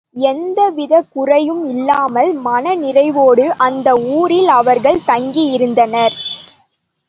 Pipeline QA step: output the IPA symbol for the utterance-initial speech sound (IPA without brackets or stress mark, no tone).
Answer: ɛ